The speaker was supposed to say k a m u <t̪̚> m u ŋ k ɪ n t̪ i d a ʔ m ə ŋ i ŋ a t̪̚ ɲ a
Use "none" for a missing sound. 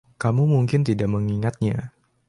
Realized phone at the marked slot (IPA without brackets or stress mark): none